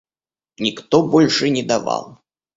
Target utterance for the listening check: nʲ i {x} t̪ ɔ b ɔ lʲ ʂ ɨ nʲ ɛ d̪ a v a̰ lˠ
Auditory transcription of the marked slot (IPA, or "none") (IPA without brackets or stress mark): k